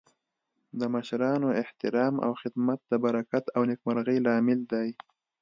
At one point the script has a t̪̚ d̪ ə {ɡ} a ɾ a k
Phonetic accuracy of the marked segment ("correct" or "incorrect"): incorrect